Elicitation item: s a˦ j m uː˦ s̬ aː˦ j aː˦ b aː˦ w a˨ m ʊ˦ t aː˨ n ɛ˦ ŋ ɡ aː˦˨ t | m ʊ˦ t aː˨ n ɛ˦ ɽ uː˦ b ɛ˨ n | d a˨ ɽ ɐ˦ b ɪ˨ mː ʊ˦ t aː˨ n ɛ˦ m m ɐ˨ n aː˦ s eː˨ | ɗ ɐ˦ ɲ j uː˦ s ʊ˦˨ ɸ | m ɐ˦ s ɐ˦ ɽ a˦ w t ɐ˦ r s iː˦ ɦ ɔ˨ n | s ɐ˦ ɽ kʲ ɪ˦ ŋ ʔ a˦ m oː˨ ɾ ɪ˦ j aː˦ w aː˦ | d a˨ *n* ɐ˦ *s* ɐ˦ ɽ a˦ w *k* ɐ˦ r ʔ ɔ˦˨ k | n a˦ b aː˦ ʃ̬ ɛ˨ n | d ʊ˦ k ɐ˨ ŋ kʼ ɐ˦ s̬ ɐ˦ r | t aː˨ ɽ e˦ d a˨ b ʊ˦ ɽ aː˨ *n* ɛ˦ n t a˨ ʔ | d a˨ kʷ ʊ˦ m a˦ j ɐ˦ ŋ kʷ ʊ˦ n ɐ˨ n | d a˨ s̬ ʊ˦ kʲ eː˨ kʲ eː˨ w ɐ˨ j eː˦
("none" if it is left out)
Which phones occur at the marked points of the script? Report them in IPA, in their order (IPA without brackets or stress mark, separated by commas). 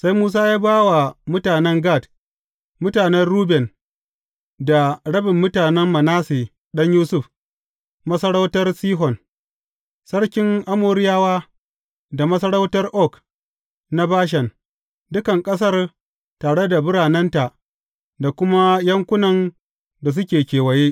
m, s, t, n